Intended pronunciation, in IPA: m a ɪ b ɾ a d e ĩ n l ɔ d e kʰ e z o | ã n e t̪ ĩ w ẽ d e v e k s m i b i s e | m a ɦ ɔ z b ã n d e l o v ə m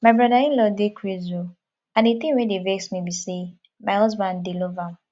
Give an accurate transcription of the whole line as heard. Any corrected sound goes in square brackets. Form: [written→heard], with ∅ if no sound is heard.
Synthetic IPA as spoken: m a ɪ b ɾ a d [e→a] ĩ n l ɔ d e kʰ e z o | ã n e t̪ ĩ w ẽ d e v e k s m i b i s e | m a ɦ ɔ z b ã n d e l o v [ə→a] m

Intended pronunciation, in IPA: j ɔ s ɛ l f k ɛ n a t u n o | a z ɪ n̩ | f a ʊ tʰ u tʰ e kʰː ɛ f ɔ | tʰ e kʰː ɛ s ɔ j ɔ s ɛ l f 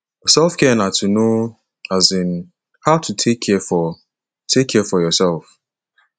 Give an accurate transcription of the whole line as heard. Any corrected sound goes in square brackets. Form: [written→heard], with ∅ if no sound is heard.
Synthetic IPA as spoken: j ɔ s ɛ l f k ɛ n a t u n o | a z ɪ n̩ | [f→h] a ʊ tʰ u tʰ e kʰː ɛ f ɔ | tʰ e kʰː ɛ [s→f] ɔ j ɔ s ɛ l f

